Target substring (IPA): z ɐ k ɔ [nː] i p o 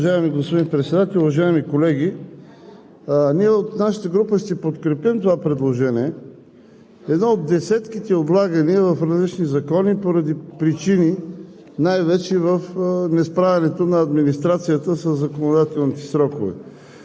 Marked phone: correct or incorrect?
incorrect